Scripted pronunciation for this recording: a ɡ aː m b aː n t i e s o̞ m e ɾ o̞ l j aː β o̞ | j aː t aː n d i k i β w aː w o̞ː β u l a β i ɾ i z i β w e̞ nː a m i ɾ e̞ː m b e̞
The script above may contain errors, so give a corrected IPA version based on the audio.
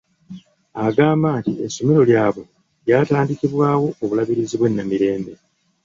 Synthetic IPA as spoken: a ɡ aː m b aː n t i e s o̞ m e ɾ o̞ l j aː β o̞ | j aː t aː n d i k i β w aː w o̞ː β u l a β i ɾ i z i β w e̞ nː a m i ɾ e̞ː m b e̞